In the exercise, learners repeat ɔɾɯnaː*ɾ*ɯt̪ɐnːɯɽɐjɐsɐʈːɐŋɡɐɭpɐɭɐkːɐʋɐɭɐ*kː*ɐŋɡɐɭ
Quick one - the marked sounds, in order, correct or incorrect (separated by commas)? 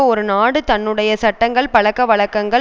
incorrect, correct